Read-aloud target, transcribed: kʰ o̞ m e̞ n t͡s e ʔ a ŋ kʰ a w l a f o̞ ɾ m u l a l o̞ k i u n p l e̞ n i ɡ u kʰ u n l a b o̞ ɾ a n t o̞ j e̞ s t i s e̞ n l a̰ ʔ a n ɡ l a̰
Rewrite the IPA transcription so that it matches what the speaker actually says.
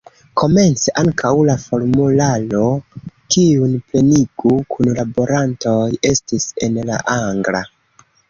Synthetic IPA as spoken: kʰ o̞ m e̞ n t͡s e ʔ a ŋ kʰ a w l a f o̞ ɾ m u l a l o̞ k i u n p l e̞ n i ɡ u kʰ u n l a b o̞ ɾ a n t o̞ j e̞ s t i s e̞ n l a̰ ʔ a ŋ ɡ l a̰